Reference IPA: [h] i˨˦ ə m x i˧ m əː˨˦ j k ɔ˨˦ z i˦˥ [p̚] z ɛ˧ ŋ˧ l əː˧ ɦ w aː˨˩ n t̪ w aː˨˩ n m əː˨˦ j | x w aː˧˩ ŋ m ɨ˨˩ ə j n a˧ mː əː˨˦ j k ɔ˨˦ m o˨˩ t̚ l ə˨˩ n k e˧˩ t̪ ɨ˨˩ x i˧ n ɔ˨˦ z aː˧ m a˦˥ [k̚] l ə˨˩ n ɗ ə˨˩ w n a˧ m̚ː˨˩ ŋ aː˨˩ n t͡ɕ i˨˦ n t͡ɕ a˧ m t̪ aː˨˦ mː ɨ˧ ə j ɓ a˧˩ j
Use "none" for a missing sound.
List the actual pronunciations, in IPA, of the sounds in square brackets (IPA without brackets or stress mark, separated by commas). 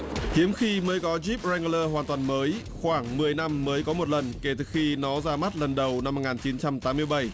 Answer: h, p̚, t̚